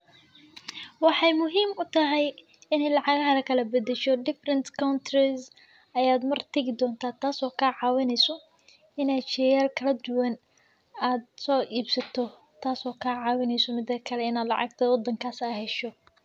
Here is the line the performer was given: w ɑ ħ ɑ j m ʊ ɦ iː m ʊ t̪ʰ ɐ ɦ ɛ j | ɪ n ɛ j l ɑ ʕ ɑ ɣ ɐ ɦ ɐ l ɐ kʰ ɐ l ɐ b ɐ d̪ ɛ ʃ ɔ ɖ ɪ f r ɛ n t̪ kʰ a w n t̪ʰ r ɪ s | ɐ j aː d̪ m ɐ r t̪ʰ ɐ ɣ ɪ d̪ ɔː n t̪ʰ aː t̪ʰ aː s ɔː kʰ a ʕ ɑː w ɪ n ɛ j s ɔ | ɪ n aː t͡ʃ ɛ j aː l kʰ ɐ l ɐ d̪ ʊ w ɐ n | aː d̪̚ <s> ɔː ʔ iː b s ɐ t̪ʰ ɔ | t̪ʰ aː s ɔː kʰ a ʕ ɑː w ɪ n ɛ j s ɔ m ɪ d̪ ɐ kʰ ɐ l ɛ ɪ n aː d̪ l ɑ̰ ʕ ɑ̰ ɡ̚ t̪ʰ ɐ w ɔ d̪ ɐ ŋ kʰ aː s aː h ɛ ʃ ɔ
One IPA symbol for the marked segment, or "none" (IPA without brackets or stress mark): s